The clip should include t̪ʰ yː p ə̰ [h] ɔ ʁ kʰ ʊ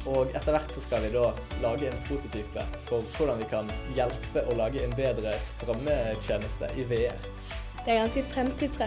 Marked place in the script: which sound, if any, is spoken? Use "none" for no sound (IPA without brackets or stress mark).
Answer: f